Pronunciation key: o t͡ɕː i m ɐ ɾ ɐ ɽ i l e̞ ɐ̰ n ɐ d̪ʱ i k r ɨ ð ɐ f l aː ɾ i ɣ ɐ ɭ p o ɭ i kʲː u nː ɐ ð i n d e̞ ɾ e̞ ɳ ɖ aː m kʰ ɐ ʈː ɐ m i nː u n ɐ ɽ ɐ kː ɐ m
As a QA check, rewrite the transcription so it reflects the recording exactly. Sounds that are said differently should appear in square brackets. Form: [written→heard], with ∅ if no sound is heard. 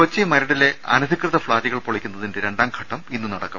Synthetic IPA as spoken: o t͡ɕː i m ɐ ɾ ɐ ɽ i l e̞ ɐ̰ n ɐ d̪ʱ i k r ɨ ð ɐ f [l→ɭ] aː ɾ i ɣ ɐ ɭ p o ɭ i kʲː u nː ɐ ð i n d e̞ ɾ e̞ ɳ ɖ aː m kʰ ɐ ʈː ɐ m i nː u n ɐ ɽ ɐ kː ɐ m